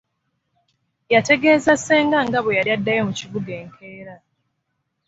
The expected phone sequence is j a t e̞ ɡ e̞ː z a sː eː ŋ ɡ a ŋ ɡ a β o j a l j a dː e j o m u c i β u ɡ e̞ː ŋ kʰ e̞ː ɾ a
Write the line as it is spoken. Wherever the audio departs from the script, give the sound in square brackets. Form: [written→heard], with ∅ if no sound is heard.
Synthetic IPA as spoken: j a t e̞ ɡ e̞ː z a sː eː ŋ ɡ a ŋ ɡ a β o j a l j a dː [e→a] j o m u c i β u ɡ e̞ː ŋ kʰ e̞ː ɾ a